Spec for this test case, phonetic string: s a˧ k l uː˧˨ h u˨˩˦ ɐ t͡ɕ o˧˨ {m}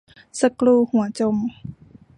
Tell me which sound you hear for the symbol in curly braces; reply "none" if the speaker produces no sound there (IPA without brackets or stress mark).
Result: m